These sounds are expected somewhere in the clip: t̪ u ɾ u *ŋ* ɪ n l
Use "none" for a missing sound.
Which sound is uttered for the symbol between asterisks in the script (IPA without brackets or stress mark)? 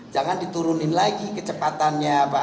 n